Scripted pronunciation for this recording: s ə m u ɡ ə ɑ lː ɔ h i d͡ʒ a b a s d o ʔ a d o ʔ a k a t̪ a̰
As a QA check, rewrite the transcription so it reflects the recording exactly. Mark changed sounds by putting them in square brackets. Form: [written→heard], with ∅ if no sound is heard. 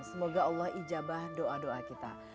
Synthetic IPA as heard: s ə m [u→o] ɡ [ə→a] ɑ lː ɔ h i d͡ʒ a b a [s→h] d o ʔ a d o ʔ a k [a→i] t̪ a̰

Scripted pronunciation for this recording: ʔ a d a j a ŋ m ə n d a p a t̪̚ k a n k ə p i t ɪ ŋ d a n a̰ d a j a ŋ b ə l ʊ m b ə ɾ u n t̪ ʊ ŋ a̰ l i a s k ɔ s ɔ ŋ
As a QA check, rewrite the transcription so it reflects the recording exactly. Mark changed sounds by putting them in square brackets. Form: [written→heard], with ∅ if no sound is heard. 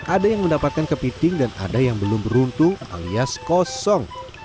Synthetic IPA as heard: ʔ a d a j a ŋ m ə n d a p a t̪̚ k a n k ə p i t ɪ ŋ d a n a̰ d a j a ŋ b ə l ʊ m b ə ɾ u n t̪ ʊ ŋ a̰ l i a s k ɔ s ɔ ŋ

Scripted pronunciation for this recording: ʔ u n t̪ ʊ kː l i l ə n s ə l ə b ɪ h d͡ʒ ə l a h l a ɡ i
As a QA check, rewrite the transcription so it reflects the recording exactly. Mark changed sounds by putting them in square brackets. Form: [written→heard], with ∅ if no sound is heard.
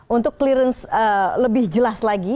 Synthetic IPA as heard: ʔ u n t̪ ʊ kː l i [l→ɾ] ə n s ə l ə b ɪ h d͡ʒ ə l a [h→s] l a ɡ i

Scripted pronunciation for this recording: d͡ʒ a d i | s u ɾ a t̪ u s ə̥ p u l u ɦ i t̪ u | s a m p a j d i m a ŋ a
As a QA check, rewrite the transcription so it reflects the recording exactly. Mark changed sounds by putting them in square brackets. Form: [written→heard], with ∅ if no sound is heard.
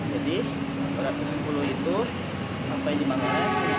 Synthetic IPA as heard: d͡ʒ a d i | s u ɾ a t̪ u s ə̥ p u l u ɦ i t̪ u | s a m p a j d i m a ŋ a

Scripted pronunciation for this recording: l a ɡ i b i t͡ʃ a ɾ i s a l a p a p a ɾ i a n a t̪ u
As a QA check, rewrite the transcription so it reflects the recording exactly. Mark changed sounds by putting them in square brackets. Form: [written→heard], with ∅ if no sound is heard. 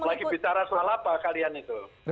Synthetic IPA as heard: l a ɡ i b i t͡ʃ a ɾ [i→a] s a l a p a [p→k] a [ɾ→l] i a n [a→i] t̪ u

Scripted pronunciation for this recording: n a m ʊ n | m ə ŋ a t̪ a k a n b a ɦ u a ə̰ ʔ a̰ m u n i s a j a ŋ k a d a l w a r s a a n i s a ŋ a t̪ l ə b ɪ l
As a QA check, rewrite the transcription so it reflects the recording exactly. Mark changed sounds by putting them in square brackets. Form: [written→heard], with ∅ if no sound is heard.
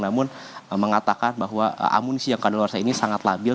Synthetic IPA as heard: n a m ʊ n | m ə ŋ a t̪ a k a n b a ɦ [u→w] a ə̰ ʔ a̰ m u n i s [a→i] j a ŋ k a d a l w a r s a [a→i] n i s a ŋ a t̪ l [ə→a] b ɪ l

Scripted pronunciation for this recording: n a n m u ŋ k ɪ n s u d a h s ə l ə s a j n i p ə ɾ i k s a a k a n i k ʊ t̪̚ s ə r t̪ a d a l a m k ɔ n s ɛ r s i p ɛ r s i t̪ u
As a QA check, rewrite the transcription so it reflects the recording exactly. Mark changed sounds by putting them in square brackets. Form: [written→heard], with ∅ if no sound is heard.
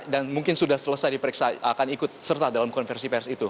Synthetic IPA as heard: [n→d] a n m u ŋ k ɪ n s u d a h s ə l ə s a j [n→d] i p ə ɾ i k s a a k a n i k ʊ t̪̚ s ə r t̪ a d a l a m k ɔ n [s→f] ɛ r s i p ɛ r s i t̪ u

